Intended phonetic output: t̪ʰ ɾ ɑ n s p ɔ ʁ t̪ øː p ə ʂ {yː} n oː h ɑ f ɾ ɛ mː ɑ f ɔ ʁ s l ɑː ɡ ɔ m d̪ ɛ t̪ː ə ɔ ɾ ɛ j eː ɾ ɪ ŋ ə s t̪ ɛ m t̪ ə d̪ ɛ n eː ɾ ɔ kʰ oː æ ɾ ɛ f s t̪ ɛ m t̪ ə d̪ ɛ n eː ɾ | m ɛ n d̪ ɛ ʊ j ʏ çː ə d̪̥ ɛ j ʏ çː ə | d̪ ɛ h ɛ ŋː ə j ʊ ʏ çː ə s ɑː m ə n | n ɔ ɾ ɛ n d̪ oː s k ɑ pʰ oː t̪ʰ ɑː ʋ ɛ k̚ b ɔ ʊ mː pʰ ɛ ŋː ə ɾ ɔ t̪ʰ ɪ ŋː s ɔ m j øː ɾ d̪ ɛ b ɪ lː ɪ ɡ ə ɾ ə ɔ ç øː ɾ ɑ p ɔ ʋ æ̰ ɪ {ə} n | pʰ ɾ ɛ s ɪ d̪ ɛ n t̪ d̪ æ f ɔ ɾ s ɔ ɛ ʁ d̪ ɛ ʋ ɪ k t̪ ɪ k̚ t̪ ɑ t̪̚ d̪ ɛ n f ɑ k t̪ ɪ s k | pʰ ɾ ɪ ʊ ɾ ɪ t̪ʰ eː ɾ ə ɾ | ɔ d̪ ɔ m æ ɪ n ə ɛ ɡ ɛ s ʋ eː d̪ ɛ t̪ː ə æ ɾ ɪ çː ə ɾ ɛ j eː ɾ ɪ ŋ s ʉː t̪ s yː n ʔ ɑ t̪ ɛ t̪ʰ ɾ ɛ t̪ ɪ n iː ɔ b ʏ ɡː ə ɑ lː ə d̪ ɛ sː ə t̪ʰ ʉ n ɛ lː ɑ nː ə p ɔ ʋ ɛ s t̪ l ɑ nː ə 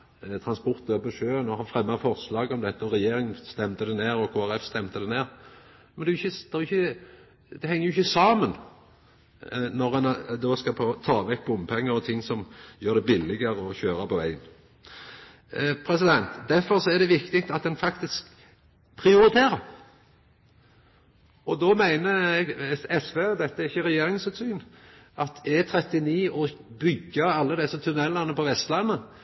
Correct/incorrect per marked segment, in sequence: incorrect: øː, correct

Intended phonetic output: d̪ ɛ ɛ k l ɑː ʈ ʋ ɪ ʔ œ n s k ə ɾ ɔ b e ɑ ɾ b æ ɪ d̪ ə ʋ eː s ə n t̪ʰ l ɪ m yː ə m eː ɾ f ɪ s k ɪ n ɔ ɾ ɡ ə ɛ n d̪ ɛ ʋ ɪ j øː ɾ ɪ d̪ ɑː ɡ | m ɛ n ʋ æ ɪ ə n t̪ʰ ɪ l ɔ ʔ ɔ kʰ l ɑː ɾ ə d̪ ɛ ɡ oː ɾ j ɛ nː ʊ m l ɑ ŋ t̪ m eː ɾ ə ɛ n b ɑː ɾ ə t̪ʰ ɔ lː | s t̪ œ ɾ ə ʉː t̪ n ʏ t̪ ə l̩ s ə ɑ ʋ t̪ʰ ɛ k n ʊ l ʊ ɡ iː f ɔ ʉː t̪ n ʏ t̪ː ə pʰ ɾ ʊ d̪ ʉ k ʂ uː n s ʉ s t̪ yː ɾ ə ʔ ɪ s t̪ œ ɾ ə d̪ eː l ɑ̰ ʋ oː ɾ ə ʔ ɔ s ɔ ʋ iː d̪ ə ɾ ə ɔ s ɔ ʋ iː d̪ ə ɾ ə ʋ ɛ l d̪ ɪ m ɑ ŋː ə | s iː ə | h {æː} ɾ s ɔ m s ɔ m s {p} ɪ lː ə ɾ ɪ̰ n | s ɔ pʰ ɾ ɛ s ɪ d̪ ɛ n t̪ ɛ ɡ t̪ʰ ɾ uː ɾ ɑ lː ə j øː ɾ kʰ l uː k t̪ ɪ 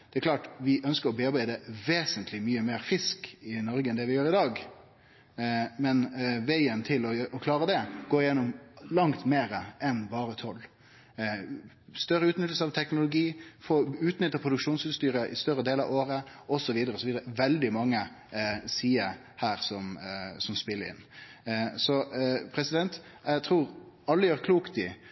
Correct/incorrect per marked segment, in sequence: correct, correct

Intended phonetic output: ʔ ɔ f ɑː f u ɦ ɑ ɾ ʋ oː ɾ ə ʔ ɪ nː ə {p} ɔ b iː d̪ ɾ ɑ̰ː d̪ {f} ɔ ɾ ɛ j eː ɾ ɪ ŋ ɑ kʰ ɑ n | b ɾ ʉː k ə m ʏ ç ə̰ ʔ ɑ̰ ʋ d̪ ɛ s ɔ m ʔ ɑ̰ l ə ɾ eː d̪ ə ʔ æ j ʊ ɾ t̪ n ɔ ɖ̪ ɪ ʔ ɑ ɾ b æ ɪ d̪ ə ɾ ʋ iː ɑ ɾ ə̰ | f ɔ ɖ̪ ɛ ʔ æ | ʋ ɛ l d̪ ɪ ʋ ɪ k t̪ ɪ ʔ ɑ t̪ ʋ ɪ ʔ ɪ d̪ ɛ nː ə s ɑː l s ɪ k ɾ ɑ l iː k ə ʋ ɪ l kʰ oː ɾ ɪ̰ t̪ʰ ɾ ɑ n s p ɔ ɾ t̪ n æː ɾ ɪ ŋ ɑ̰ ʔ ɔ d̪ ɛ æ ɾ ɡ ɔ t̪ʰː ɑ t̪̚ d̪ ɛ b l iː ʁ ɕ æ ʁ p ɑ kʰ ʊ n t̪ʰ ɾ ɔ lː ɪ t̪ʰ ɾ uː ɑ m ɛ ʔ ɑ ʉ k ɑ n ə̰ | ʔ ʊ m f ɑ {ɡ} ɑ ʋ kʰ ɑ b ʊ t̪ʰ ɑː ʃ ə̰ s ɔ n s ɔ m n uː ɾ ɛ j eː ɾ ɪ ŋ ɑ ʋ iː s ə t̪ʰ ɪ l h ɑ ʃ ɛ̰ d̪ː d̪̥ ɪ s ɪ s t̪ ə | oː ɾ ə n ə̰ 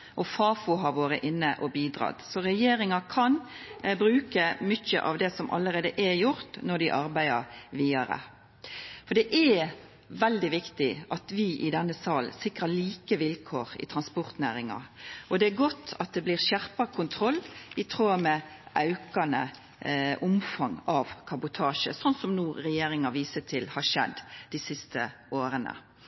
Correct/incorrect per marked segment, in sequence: incorrect: ʔ, incorrect: s, incorrect: ŋ

